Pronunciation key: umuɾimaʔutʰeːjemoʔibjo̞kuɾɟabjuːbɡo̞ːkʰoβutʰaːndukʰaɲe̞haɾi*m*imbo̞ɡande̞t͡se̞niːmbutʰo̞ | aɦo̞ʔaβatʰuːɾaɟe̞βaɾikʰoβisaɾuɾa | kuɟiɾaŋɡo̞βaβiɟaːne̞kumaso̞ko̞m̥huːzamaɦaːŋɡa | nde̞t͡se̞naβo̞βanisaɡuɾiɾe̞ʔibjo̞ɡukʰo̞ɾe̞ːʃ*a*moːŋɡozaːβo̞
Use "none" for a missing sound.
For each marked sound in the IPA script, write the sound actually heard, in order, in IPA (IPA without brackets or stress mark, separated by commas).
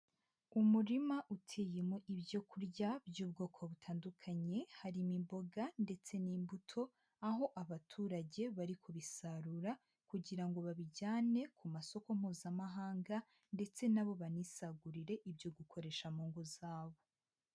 m, a